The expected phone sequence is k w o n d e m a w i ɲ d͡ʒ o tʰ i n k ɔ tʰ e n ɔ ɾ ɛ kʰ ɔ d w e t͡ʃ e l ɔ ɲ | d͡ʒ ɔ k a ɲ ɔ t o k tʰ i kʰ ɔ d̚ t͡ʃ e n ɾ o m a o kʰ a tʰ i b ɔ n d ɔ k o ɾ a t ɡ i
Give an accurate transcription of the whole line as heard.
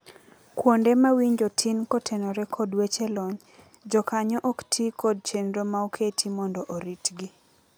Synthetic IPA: k w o n d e m a w i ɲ d͡ʒ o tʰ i n k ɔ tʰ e n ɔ ɾ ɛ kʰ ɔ d w e t͡ʃ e l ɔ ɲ | d͡ʒ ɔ k a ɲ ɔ ʔ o k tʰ i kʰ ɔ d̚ t͡ʃ e n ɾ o m a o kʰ e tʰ i m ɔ n d ɔ ʔ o ɾ i t ɡ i